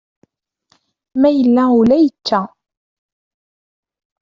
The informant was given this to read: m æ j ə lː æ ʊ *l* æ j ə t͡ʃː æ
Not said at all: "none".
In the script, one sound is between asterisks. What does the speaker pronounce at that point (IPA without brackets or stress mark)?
l